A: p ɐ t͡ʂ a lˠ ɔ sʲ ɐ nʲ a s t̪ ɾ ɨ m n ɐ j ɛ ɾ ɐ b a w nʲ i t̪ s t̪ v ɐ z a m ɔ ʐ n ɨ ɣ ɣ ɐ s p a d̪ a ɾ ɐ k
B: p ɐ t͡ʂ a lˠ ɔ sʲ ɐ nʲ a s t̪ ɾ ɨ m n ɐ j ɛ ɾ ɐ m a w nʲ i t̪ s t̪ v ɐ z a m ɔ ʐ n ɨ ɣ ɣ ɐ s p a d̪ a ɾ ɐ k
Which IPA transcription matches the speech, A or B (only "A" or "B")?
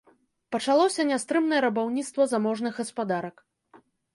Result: A